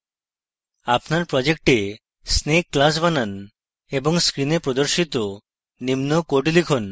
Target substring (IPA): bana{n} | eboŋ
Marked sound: correct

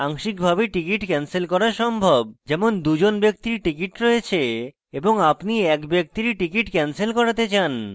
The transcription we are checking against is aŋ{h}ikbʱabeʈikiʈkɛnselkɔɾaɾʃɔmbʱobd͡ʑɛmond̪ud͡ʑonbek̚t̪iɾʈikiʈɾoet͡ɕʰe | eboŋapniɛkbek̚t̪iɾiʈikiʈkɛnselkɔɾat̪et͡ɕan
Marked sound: incorrect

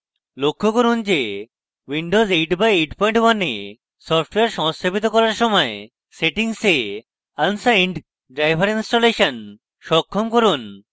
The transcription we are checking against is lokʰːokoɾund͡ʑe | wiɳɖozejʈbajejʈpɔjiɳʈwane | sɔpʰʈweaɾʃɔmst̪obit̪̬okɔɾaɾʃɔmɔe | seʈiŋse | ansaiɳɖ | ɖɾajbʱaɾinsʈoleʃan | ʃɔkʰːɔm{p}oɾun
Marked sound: incorrect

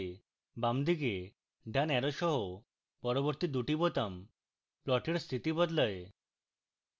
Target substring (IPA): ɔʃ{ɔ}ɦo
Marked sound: correct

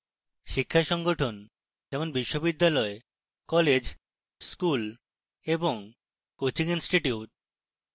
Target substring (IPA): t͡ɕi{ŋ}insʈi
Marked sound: correct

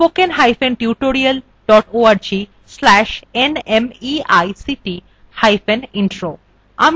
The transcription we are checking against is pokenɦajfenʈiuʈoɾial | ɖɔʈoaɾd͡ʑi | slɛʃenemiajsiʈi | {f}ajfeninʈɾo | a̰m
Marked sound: incorrect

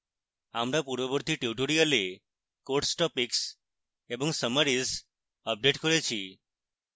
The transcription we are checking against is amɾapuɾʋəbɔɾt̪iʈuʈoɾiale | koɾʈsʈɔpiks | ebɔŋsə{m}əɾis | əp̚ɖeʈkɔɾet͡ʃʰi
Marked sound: correct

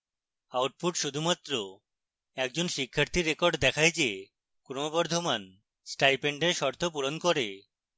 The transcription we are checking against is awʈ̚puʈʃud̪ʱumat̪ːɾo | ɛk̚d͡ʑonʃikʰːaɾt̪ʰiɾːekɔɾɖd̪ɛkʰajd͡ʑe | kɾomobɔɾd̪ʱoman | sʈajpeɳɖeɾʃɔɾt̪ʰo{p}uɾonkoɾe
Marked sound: correct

